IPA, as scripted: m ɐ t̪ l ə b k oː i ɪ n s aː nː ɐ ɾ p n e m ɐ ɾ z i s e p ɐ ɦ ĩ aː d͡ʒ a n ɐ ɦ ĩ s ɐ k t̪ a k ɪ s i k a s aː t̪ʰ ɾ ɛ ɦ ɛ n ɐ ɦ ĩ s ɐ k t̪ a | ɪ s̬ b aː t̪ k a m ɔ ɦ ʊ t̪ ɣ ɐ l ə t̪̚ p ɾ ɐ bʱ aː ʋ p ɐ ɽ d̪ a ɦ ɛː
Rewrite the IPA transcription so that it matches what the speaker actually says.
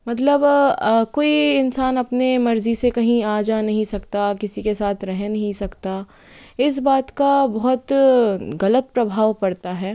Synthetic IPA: m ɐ t̪ l ə b k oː i ɪ n s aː n ɐ p n e m ɐ ɾ z i s e k ɐ ɦ ĩ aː d͡ʒ a n ɐ ɦ ĩ s ɐ k t̪ a k ɪ s i k e s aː t̪ʰ ɾ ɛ ɦ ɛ n ɐ ɦ ĩ s ɐ k t̪ a | ɪ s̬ b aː t̪ k a b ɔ ɦ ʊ t̪ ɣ ɐ l ə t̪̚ p ɾ ɐ bʱ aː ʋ p ɐ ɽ t̪ a ɦ ɛː